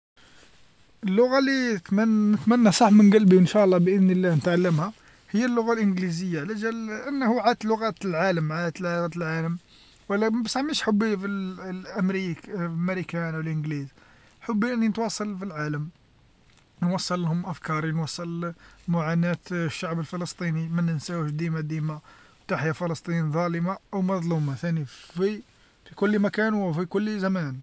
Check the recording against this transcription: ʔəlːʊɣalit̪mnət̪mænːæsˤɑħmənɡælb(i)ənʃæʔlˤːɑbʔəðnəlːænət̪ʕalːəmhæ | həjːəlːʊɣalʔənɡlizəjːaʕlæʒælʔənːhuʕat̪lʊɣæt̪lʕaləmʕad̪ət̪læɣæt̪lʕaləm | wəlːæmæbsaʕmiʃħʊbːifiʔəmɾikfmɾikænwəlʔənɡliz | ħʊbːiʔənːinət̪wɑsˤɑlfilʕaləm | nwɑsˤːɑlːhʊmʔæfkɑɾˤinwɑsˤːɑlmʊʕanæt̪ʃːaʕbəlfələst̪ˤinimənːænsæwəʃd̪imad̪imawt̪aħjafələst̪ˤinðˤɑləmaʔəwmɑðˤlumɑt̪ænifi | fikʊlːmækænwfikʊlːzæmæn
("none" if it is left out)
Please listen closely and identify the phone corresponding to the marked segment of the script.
i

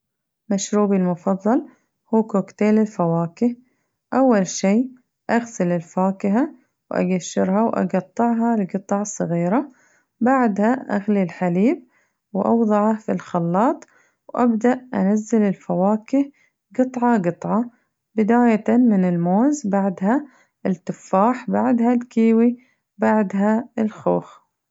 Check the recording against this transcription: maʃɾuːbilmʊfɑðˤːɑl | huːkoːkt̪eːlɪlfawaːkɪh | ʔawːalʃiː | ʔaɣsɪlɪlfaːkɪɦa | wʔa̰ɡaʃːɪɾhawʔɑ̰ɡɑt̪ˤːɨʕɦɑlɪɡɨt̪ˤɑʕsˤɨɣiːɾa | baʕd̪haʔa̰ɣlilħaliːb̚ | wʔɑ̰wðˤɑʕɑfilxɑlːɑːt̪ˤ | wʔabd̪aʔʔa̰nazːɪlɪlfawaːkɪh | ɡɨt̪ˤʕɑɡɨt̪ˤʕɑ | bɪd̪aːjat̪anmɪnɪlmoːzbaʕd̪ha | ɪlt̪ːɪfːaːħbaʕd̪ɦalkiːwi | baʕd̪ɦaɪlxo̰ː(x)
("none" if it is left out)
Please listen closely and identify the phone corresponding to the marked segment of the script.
x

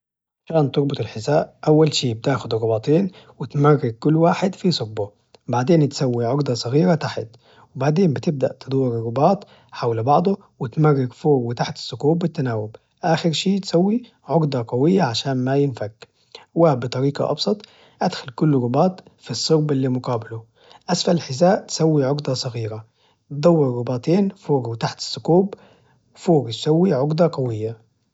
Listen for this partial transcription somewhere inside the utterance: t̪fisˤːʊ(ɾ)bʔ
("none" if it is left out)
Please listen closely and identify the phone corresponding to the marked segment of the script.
ɾ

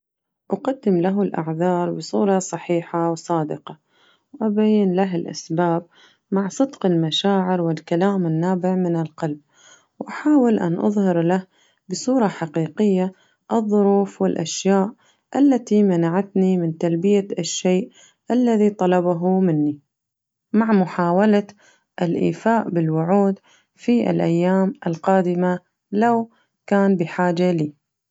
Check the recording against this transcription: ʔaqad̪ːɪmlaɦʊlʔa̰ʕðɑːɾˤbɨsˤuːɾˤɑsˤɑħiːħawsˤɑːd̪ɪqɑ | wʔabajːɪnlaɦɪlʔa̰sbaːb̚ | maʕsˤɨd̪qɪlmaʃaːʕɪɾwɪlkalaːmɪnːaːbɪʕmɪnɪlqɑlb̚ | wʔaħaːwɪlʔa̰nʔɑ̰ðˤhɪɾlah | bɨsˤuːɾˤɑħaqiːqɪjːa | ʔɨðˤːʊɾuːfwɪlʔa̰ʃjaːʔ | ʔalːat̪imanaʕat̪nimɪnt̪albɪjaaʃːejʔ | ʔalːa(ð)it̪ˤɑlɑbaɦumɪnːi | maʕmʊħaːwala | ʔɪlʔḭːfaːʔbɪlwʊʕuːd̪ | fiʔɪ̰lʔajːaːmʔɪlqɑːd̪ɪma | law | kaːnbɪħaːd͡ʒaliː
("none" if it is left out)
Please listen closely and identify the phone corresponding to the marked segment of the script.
ð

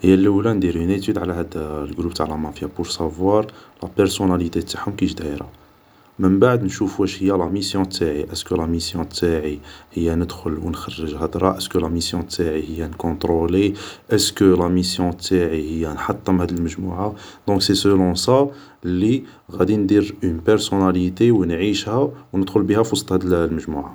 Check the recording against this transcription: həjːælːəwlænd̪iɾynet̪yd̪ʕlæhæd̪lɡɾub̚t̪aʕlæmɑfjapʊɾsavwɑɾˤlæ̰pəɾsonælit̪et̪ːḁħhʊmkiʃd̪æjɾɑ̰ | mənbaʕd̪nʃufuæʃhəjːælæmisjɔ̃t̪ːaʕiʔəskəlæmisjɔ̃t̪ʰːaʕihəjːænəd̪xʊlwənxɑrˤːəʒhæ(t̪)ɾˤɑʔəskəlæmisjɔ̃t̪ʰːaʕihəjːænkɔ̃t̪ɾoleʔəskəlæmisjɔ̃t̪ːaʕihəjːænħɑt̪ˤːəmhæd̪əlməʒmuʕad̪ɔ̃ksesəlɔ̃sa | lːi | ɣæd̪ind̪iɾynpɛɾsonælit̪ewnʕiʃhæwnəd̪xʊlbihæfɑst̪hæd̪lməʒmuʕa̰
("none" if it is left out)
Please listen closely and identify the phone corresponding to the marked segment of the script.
d̪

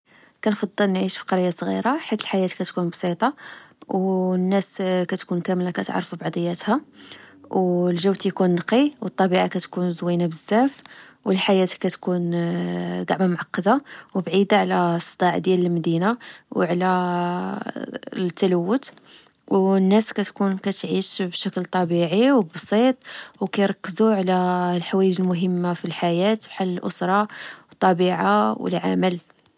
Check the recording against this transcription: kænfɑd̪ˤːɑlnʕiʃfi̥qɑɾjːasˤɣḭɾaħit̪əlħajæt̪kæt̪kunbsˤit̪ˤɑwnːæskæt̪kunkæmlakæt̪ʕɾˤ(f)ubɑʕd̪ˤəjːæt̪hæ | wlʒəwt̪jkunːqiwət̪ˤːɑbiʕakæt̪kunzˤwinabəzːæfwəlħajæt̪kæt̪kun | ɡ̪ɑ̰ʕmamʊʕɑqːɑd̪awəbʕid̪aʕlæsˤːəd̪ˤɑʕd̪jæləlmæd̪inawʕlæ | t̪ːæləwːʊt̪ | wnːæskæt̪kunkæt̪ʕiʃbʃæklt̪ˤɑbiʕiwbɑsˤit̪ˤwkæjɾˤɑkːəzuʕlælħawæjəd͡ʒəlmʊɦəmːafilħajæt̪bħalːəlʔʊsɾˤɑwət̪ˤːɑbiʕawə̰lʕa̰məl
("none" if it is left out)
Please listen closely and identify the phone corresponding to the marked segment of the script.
f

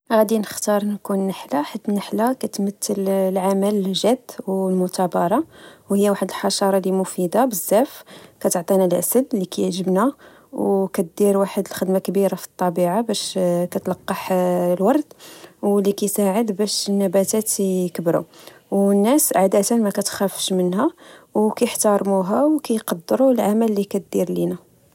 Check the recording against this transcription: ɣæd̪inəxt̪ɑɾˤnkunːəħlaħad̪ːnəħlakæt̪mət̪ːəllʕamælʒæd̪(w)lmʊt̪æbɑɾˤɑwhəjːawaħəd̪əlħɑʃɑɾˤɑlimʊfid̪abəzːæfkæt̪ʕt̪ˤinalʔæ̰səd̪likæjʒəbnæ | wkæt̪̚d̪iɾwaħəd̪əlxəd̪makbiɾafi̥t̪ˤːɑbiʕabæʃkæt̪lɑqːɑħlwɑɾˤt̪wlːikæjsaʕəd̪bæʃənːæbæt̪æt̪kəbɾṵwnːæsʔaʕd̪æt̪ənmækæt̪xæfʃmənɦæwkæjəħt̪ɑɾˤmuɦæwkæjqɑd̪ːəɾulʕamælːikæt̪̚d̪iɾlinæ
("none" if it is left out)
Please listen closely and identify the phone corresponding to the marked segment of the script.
w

